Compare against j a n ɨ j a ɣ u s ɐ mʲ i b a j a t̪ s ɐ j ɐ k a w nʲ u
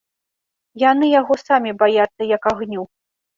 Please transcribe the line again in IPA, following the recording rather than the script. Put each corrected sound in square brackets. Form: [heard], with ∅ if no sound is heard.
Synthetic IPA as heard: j a n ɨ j a ɣ [ɔ] s [a] mʲ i b a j a t̪ [sː] ɐ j ɐ k a [ɣ] nʲ u